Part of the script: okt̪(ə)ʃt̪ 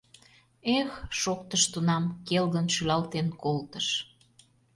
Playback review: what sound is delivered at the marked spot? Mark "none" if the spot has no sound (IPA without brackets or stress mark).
ə